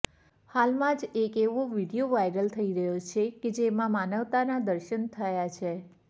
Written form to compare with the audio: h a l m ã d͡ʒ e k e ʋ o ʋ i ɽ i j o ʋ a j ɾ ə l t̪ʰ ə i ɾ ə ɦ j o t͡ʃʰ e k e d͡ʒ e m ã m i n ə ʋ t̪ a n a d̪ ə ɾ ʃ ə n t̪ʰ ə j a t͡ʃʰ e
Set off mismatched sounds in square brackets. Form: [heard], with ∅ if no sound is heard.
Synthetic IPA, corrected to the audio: h a l m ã d͡ʒ e k e ʋ o ʋ i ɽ i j o ʋ a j ɾ ə l t̪ʰ ə i ɾ ə ɦ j o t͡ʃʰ e k e d͡ʒ e m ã m [a] n ə ʋ t̪ a n a d̪ ə ɾ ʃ ə n t̪ʰ ə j a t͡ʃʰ e